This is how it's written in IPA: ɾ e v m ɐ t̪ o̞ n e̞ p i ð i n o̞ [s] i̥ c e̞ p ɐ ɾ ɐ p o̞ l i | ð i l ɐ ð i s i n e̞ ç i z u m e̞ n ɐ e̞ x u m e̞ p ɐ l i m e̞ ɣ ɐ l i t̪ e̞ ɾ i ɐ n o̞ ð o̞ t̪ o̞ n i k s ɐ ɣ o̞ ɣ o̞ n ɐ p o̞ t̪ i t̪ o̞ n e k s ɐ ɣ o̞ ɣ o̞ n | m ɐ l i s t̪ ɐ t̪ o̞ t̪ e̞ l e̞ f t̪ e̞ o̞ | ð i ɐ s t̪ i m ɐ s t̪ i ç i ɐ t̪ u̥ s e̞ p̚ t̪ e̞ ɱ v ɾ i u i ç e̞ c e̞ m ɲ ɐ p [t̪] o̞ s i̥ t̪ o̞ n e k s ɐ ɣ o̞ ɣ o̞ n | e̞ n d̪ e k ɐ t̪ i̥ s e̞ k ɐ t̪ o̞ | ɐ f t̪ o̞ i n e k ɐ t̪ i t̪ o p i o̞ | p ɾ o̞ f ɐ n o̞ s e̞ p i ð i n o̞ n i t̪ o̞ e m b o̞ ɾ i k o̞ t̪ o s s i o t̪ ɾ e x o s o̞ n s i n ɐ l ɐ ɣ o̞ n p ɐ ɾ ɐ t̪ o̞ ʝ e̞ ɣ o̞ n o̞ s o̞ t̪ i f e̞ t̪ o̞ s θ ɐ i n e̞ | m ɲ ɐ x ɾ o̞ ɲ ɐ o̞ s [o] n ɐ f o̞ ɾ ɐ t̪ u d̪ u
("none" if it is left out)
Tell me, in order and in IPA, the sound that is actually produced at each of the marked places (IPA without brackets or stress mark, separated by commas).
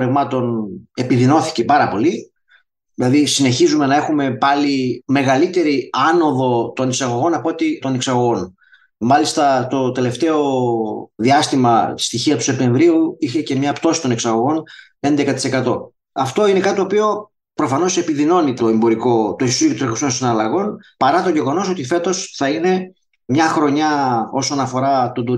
θ, t̪, o